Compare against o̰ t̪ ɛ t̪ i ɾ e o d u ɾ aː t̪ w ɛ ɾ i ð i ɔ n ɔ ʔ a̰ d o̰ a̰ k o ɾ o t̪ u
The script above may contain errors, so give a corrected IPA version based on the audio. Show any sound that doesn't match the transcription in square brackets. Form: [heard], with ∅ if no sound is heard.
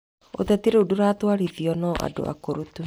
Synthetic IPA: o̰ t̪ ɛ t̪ i ɾ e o d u ɾ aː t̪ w [a] ɾ i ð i ɔ n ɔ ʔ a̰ d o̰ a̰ k o ɾ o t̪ u